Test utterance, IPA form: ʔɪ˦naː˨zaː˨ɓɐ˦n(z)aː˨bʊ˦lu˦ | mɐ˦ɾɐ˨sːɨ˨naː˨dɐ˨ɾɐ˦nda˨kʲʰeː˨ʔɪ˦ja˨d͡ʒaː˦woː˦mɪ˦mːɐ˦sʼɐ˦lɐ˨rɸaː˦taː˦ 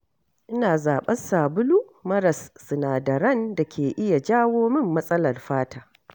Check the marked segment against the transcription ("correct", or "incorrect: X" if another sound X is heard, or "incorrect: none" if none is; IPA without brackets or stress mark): incorrect: s